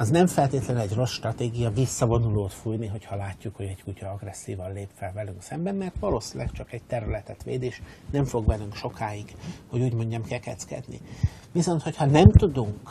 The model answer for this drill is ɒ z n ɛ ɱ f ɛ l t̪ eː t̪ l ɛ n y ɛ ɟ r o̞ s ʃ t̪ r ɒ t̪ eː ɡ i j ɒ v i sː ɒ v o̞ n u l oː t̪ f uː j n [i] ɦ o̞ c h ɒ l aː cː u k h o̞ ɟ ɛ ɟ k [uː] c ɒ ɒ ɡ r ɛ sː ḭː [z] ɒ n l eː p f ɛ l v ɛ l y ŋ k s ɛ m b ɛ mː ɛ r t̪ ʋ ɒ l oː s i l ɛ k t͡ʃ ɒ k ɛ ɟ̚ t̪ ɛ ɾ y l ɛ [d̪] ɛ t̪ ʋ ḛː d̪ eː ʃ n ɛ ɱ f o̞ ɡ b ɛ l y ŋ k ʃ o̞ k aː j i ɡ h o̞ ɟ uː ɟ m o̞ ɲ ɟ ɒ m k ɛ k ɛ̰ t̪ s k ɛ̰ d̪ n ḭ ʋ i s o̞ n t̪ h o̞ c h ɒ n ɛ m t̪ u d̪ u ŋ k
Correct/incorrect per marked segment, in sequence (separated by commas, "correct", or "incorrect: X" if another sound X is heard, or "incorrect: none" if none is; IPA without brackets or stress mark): correct, incorrect: u, incorrect: v, incorrect: t̪